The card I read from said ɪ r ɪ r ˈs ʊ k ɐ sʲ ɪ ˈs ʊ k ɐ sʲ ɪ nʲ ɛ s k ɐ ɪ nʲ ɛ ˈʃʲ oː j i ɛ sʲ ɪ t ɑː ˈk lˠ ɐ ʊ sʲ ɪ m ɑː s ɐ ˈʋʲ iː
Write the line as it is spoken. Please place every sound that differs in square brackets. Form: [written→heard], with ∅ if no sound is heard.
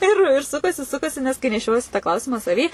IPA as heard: ɪ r ɪ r ˈs ʊ k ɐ sʲ ɪ ˈs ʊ k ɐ sʲ ɪ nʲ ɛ s k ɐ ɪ nʲ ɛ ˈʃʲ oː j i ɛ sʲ ɪ t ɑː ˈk lˠ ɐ ʊ sʲ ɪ m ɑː s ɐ ˈʋʲ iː